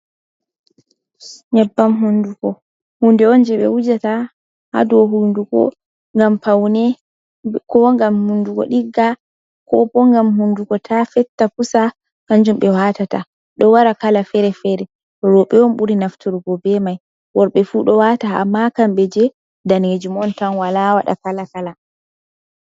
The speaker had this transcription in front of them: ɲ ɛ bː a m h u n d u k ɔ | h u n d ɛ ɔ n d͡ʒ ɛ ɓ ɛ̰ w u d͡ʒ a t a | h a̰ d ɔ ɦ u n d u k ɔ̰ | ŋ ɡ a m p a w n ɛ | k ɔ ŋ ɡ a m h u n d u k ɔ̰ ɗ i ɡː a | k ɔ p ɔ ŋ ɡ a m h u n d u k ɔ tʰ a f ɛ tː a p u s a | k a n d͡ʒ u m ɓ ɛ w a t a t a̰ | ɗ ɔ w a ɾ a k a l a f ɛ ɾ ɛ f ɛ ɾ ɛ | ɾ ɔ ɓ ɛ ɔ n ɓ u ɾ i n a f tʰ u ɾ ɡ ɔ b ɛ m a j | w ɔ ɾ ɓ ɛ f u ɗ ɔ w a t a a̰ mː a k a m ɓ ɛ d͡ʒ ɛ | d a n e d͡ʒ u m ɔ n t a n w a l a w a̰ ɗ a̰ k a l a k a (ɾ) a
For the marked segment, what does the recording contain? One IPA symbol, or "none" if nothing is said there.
l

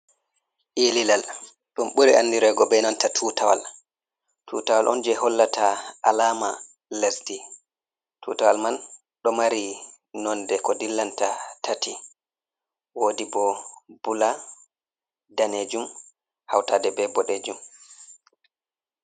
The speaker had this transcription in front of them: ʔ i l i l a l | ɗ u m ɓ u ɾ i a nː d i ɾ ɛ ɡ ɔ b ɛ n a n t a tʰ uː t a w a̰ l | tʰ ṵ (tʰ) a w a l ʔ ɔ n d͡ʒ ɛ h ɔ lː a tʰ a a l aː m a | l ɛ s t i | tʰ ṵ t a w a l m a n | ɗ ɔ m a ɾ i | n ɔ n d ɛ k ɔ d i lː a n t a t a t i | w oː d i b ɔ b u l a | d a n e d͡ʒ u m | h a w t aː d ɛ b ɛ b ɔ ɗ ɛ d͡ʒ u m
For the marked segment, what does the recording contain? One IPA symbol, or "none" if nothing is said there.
t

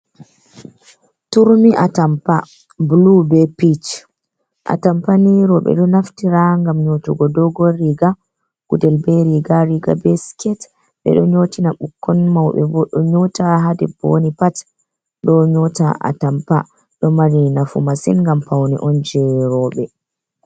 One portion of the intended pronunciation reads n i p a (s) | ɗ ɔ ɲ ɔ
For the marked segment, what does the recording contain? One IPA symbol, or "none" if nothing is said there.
t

